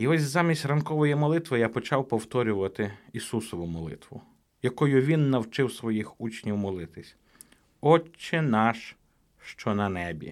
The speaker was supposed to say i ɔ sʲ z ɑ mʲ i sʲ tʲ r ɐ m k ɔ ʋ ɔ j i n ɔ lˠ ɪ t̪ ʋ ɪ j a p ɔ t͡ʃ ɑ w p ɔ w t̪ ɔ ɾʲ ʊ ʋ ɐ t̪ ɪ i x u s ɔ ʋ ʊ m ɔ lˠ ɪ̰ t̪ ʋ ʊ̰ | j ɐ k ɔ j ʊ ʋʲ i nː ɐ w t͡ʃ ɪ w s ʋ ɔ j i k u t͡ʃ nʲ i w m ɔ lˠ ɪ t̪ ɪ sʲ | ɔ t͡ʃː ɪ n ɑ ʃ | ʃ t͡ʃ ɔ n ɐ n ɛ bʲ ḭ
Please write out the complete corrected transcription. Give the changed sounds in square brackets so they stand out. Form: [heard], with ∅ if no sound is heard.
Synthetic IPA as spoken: i ɔ sʲ z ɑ mʲ i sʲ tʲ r ɐ [n] k ɔ ʋ ɔ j i [m] ɔ lˠ ɪ t̪ ʋ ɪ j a p ɔ t͡ʃ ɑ w p ɔ w t̪ ɔ ɾʲ ʊ ʋ ɐ t̪ ɪ i [s] u s ɔ ʋ ʊ m ɔ lˠ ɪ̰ t̪ ʋ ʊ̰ | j ɐ k ɔ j ʊ ʋʲ i nː ɐ w t͡ʃ ɪ w s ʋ ɔ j i [x] u t͡ʃ nʲ i w m ɔ lˠ ɪ t̪ ɪ sʲ | ɔ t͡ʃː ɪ n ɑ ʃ | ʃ t͡ʃ ɔ n ɐ n ɛ bʲ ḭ